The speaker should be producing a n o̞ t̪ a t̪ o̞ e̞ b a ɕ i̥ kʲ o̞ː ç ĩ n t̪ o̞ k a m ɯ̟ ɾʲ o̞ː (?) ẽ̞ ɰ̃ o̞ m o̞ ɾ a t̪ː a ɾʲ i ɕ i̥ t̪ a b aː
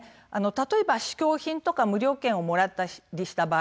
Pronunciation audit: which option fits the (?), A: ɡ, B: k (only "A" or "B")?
B